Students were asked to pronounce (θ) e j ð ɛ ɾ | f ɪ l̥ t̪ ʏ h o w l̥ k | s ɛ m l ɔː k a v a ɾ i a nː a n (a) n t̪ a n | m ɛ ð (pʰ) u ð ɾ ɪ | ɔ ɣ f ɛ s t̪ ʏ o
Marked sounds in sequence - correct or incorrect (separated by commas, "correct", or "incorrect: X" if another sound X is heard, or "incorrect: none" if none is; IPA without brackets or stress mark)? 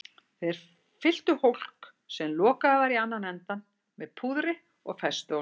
correct, incorrect: ɛ, correct